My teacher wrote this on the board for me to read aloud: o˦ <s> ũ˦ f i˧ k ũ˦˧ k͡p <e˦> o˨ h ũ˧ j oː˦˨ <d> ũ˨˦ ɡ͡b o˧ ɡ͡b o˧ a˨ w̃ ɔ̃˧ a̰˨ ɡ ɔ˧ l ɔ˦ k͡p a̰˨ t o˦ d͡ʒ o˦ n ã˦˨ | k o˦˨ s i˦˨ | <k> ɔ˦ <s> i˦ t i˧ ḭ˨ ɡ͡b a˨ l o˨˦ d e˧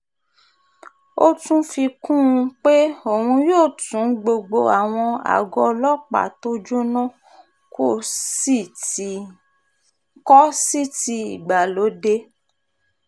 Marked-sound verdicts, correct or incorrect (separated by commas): incorrect, correct, incorrect, correct, correct